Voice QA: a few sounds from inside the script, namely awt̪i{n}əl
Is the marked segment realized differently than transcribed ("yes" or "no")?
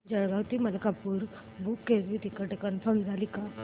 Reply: yes